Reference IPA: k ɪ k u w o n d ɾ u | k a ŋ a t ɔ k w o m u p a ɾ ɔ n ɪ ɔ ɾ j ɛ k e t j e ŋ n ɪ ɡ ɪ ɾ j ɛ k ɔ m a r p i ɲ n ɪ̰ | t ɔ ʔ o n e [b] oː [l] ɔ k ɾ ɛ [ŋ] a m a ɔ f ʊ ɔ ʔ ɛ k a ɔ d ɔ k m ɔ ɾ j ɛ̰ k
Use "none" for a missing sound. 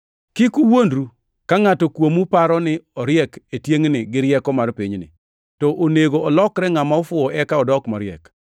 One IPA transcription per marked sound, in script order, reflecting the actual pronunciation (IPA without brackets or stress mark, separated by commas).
ɡ, l, ŋ